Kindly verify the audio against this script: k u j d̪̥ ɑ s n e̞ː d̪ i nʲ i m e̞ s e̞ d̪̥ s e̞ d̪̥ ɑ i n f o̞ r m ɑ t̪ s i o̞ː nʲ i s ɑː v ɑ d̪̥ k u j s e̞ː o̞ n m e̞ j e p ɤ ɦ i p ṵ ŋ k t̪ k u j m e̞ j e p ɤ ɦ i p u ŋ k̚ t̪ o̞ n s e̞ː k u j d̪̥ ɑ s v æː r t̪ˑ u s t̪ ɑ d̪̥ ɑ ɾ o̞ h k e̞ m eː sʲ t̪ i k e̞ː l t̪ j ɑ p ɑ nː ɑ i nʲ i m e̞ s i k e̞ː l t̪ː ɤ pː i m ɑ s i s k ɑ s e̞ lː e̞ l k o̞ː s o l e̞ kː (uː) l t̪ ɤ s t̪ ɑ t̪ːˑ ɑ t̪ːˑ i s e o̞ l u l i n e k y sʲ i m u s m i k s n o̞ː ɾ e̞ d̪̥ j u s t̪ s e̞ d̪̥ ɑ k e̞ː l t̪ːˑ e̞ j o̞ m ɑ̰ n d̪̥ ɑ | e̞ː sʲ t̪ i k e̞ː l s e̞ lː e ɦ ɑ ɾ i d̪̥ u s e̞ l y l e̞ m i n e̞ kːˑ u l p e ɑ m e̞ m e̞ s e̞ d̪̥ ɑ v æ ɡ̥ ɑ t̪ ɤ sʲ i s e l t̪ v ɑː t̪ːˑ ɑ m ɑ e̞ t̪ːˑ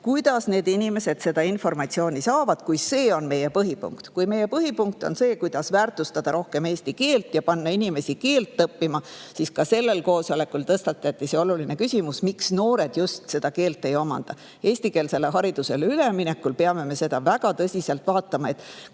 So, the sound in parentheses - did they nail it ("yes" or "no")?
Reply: no